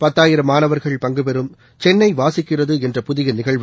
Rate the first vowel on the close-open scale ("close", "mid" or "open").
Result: open